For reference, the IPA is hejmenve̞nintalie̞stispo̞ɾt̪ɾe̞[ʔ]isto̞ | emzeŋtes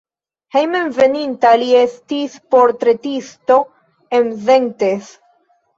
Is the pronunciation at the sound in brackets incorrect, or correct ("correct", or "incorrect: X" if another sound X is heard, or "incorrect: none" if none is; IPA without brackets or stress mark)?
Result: incorrect: t